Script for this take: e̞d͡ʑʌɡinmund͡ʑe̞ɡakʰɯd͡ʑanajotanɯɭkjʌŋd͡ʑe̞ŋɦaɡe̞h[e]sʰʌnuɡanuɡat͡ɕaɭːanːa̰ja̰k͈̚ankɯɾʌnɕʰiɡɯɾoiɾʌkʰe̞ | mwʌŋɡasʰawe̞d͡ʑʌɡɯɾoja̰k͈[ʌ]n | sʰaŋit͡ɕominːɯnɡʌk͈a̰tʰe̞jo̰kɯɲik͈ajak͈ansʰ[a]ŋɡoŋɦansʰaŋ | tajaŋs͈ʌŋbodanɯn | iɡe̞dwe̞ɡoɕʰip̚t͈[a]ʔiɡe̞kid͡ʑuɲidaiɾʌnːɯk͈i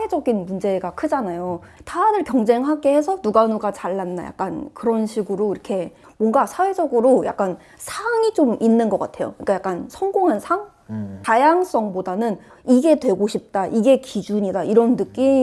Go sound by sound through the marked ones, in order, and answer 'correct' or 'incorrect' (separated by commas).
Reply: correct, incorrect, incorrect, correct